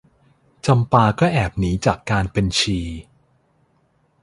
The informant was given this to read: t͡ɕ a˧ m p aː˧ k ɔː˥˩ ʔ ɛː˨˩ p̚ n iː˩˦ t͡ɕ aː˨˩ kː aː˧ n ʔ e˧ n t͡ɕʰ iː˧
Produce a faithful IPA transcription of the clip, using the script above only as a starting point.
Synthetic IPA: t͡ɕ a˧ m p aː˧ k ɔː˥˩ ʔ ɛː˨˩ p̚ n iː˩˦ t͡ɕ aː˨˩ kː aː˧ n p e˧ n t͡ɕʰ iː˧